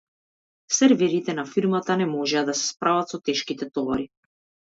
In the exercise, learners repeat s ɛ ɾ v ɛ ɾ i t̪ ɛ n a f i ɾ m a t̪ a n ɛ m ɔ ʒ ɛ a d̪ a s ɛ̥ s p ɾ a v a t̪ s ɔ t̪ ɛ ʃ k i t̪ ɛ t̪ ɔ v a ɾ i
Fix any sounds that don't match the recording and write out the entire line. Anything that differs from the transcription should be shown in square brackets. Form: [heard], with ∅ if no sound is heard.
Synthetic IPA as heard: s ɛ ɾ v ɛ ɾ i t̪ ɛ n a f i ɾ m a t̪ a n ɛ m ɔ ʒ ɛ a d̪ a s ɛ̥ s p ɾ a v a t̪ s ɔ t̪ ɛ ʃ k i t̪ ɛ t̪ ɔ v a ɾ i

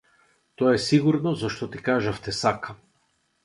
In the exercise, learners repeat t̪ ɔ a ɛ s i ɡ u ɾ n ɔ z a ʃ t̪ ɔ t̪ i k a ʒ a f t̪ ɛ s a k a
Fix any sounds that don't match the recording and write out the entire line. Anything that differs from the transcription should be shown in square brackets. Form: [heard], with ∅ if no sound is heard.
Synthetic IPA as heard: t̪ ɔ a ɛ s i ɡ u ɾ n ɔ z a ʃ t̪ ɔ t̪ i k a ʒ a f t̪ ɛ s a k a

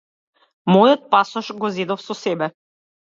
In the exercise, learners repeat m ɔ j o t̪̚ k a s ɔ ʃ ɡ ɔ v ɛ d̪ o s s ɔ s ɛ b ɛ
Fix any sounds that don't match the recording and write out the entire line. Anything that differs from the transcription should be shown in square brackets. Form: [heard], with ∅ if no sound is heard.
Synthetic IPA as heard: m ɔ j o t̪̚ [p] a s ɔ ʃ ɡ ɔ [z] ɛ d̪ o [f] s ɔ s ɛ b ɛ

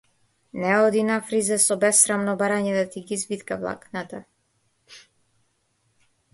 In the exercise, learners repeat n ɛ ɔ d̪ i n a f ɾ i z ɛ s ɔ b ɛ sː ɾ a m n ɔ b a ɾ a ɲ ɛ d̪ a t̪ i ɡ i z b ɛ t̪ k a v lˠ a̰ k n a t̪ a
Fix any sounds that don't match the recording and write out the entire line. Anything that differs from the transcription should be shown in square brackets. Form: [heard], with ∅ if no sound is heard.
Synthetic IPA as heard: n ɛ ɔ d̪ i n a f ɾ i z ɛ s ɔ b ɛ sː ɾ a m n ɔ b a ɾ a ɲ ɛ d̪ a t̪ i ɡ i z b [i] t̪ k a v lˠ a̰ k n a t̪ a

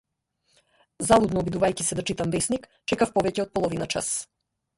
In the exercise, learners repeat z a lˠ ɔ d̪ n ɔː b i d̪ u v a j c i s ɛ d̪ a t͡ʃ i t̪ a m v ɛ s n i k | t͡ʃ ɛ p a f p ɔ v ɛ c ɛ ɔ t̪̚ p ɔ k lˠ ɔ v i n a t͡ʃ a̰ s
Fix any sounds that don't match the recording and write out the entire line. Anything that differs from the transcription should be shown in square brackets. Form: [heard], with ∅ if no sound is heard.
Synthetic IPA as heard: z a lˠ [u] d̪ n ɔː b i d̪ u v a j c i s ɛ d̪ a t͡ʃ i t̪ a m v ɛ s n i k | t͡ʃ ɛ [k] a f p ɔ v ɛ c ɛ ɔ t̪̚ p ɔ [∅] lˠ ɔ v i n a t͡ʃ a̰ s

